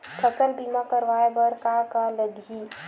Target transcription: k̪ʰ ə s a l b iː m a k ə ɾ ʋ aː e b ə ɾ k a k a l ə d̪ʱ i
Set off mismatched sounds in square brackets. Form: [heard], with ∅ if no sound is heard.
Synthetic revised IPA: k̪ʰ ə s [ə] l b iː m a k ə ɾ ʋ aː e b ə ɾ k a k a l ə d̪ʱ i